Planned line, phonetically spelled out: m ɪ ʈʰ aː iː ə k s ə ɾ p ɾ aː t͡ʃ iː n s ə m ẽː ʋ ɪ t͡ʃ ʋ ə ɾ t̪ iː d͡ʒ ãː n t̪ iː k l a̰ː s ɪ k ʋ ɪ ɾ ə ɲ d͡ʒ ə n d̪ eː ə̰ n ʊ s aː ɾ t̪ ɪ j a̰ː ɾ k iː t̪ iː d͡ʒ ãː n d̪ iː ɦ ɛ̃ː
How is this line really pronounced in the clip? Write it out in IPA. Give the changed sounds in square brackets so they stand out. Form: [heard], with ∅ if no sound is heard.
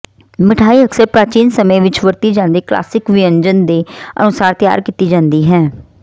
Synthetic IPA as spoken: m ɪ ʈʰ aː iː ə k s ə ɾ p ɾ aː t͡ʃ iː n s ə m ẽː ʋ ɪ t͡ʃ ʋ ə ɾ t̪ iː d͡ʒ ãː n [d̪] iː k l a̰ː s ɪ k ʋ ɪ [∅] ə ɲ d͡ʒ ə n d̪ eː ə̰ n ʊ s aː ɾ t̪ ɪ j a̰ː ɾ k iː t̪ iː d͡ʒ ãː n d̪ iː ɦ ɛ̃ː